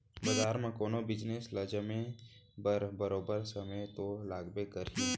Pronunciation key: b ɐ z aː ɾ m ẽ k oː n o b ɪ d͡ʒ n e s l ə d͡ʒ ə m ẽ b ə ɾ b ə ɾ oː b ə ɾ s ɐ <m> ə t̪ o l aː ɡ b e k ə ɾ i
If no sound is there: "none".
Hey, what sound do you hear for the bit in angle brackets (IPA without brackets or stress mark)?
m